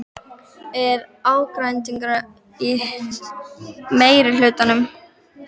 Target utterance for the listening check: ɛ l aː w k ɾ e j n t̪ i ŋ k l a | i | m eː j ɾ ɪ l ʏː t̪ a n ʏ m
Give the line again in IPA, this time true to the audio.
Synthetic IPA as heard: ɛ ɾ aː w k ɾ a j n t̪ i ŋ k ɾ a | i | m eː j ɾ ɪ l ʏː t̪ a n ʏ m